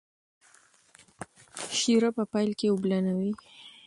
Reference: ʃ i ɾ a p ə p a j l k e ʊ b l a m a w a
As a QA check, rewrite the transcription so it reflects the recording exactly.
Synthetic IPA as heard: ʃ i ɾ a p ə p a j l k e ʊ b l a n a w i